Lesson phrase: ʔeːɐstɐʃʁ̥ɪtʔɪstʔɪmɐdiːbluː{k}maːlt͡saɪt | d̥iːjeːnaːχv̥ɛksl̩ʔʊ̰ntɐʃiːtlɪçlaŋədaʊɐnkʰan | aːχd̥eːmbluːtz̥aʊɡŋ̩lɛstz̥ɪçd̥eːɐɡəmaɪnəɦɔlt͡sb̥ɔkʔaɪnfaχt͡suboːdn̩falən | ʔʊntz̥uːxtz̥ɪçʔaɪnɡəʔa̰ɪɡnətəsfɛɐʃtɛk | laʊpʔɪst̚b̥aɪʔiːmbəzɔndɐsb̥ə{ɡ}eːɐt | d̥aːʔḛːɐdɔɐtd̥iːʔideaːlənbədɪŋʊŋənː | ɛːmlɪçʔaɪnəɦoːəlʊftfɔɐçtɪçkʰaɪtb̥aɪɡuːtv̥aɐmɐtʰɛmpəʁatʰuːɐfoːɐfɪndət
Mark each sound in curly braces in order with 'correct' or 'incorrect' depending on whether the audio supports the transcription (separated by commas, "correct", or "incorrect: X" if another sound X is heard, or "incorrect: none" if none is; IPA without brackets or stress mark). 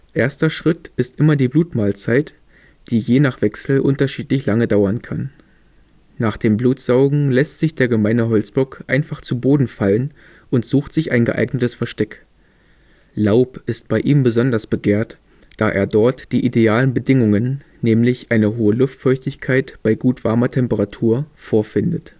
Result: incorrect: t, correct